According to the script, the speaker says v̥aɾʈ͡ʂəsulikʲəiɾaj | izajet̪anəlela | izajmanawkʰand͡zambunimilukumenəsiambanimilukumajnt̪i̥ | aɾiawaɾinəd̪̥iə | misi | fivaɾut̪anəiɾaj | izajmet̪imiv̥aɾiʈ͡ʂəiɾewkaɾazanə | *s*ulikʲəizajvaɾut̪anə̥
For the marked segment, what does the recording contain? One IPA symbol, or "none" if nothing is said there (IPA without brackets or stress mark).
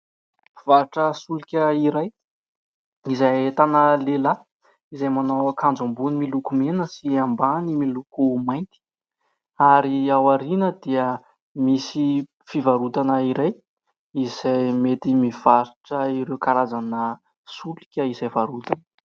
s